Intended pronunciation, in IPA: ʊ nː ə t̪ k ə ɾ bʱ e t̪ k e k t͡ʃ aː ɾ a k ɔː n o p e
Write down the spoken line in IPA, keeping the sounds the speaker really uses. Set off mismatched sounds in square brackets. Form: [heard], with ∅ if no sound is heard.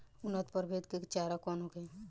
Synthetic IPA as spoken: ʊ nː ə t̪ [p] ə ɾ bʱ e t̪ k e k t͡ʃ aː ɾ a k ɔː n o [k] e